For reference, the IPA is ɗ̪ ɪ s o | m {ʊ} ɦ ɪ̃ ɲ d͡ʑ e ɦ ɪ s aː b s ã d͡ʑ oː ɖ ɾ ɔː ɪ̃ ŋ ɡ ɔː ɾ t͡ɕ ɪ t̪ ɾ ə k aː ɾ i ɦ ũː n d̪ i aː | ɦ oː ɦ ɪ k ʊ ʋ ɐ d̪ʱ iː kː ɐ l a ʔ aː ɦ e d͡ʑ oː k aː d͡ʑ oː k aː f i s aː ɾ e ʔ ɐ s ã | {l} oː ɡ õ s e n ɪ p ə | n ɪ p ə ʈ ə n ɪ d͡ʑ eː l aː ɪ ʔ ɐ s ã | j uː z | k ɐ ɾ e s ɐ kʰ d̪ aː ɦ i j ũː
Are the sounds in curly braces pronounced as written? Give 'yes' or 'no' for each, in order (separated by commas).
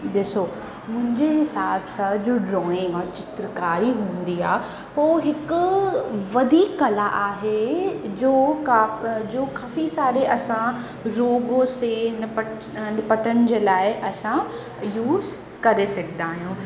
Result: no, no